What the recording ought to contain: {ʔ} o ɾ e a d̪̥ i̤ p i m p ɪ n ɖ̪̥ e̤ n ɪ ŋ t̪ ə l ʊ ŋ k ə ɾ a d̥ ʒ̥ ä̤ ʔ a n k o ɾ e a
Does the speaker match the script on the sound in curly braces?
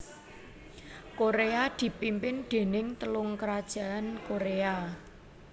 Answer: no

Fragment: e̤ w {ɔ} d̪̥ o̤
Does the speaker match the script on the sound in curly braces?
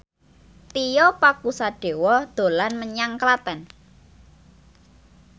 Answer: yes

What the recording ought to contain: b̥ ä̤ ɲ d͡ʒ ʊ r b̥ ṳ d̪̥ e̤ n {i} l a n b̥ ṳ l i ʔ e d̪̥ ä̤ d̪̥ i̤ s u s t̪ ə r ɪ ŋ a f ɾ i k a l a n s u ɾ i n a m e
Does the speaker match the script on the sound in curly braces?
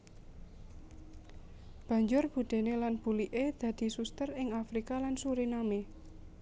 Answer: no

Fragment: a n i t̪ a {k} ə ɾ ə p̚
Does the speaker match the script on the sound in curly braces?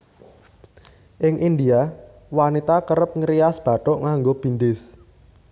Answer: yes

